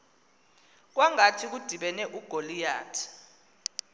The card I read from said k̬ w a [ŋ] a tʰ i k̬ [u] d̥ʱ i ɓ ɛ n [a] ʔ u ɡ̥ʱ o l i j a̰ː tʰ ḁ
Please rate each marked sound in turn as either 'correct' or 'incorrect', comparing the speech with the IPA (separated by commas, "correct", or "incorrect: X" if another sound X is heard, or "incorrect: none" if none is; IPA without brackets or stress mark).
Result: correct, correct, incorrect: ɛ